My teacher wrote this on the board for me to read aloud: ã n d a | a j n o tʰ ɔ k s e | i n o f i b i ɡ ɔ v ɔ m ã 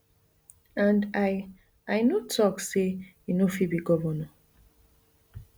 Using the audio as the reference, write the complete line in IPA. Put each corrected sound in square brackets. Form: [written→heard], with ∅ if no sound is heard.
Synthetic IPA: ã n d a | a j n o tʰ ɔ k s e | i n o f i b i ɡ ɔ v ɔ [m→n] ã